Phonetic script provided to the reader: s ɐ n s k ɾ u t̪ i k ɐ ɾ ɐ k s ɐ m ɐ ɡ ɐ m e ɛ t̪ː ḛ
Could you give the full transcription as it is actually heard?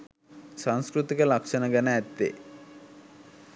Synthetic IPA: s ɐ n s k ɾ u t̪ i k ɐ l ɐ k ʂ ɐ n ɐ ɡ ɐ n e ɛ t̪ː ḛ